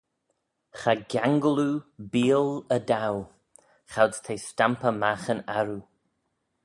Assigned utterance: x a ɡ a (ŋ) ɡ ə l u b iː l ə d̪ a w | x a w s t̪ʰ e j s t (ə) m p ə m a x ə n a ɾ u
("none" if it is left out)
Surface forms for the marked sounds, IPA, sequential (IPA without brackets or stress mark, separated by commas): ŋ, a